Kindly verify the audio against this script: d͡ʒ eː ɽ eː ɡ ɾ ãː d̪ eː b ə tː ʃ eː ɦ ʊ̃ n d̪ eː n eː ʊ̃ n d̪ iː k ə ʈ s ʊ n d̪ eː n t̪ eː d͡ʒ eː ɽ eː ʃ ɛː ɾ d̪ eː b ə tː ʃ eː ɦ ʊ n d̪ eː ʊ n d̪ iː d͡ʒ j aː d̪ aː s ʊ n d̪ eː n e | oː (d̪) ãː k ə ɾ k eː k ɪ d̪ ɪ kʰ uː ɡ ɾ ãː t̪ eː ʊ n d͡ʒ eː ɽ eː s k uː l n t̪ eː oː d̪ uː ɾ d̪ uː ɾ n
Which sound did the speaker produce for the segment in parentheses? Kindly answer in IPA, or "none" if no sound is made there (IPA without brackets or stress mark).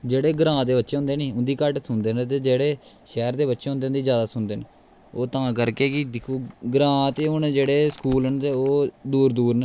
t̪